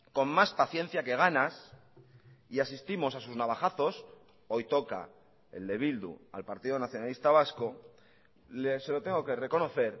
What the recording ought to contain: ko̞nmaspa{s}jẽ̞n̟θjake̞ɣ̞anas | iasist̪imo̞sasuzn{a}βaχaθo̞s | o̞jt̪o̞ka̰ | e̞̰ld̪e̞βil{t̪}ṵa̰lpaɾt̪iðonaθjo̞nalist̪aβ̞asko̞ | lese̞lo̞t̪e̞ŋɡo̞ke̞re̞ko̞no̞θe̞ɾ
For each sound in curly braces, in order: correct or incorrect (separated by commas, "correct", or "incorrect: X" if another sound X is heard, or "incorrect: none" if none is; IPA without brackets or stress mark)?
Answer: incorrect: θ, correct, incorrect: d̪